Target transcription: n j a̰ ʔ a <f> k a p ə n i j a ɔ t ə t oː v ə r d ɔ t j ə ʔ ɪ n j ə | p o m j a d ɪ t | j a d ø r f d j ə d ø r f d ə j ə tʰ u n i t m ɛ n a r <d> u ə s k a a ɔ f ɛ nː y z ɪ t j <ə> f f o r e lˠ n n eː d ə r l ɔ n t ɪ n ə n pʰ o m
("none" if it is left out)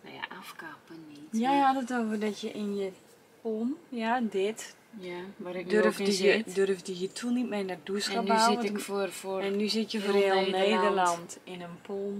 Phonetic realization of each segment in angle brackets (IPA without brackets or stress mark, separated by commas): f, d, ə